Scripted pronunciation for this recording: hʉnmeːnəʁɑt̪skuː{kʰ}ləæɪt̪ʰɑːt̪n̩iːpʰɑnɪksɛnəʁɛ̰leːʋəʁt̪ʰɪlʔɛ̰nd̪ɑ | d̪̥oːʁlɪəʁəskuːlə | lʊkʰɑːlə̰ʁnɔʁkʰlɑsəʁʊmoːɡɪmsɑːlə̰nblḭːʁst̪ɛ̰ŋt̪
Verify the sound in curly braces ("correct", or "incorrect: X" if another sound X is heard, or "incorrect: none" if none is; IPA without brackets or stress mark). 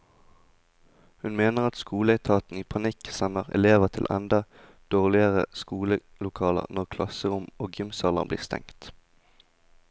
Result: incorrect: none